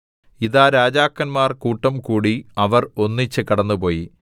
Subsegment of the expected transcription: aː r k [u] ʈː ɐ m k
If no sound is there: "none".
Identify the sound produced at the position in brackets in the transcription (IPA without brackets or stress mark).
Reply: uː